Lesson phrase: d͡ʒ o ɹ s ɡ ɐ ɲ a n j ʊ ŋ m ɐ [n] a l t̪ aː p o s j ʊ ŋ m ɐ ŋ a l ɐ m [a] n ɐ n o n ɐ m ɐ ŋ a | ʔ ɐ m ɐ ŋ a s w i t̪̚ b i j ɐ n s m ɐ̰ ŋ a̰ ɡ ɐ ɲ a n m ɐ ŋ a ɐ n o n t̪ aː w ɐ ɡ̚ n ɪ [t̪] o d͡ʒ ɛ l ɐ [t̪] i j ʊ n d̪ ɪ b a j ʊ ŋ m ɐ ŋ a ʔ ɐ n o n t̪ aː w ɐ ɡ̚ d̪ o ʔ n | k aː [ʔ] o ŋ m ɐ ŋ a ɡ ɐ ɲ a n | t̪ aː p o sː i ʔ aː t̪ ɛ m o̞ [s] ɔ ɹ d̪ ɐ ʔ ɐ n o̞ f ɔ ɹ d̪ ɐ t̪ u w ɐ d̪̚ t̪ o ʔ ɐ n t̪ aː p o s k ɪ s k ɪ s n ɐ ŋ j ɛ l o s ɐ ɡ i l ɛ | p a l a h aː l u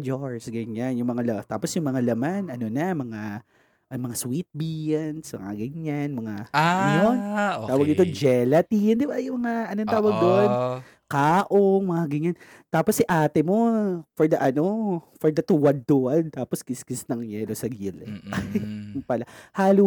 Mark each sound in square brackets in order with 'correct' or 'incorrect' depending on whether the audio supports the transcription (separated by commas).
incorrect, correct, correct, correct, correct, incorrect